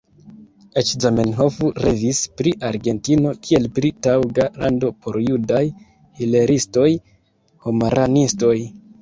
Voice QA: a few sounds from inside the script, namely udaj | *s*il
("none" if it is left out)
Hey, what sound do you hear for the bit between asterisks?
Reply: h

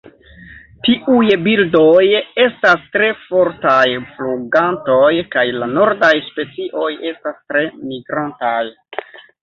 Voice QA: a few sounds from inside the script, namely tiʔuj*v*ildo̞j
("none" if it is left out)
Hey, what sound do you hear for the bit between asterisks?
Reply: b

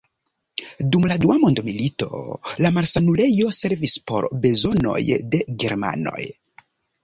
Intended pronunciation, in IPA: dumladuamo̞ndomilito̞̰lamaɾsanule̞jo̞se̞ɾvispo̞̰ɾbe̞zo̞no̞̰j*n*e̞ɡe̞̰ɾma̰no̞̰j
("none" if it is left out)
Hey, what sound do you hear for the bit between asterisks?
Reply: d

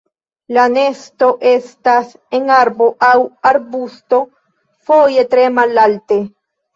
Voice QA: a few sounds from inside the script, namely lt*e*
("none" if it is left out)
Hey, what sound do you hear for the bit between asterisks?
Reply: e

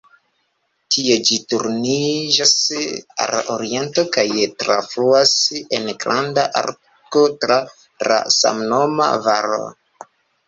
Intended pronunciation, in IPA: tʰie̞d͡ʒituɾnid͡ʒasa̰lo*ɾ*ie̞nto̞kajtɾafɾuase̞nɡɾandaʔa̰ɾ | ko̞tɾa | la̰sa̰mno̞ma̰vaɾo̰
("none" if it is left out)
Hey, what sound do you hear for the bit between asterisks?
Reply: ɾ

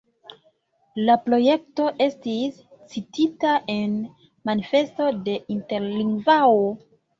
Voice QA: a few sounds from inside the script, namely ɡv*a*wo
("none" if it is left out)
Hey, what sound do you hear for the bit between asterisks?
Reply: a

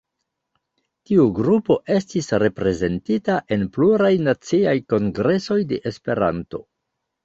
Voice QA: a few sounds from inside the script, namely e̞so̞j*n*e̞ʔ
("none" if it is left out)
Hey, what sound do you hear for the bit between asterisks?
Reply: d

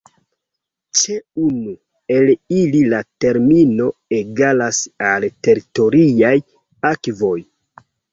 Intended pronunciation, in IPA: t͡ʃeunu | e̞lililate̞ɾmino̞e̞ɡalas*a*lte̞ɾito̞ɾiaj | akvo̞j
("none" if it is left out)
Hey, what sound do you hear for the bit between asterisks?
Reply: a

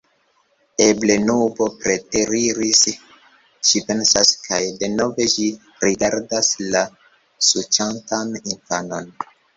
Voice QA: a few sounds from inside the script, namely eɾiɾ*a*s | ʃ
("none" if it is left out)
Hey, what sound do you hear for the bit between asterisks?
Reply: i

